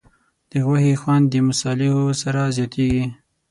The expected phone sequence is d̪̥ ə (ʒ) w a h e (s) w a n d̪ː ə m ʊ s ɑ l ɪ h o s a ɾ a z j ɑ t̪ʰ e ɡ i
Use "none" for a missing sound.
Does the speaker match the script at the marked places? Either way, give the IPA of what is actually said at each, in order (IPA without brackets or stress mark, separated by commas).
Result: ɣ, x